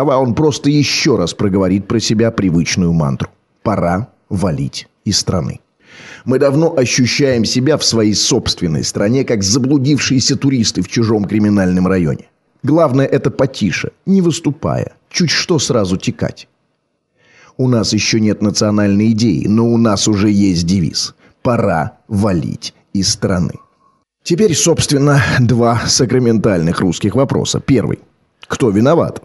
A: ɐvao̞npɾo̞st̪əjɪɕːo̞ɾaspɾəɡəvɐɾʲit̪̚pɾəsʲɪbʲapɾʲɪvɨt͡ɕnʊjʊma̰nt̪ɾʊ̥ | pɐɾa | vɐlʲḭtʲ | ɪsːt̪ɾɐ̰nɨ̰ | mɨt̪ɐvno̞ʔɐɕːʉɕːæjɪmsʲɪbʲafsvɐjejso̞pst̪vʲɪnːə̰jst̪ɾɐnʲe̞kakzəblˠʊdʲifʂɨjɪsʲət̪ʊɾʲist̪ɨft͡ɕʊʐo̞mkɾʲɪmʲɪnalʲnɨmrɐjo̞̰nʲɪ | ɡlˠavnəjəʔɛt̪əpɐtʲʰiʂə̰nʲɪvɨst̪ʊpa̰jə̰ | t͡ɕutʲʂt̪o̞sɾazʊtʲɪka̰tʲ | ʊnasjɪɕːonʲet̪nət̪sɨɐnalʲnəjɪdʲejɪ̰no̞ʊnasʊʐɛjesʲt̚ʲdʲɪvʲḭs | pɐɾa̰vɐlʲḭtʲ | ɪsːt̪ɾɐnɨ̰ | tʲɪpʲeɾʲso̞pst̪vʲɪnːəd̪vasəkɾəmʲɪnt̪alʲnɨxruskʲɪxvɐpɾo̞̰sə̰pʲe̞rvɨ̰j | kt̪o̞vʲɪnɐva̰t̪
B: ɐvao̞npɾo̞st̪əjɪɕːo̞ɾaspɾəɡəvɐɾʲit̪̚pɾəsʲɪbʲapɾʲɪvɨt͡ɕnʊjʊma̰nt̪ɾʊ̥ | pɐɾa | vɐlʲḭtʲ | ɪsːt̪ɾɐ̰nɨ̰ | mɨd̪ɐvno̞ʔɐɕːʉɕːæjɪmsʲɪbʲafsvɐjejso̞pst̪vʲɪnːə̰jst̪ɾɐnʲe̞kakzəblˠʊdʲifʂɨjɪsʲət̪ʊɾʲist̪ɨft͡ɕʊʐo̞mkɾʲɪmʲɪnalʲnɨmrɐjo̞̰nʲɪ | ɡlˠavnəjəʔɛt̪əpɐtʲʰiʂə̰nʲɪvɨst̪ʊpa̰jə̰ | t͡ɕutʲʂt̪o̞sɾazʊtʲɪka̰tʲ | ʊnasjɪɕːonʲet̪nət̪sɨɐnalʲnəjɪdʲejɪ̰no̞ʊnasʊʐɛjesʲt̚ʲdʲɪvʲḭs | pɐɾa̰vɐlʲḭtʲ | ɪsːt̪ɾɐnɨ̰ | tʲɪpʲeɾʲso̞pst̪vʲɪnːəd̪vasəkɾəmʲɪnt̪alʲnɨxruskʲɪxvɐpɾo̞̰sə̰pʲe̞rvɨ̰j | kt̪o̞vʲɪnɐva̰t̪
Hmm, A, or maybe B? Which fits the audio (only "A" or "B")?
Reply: B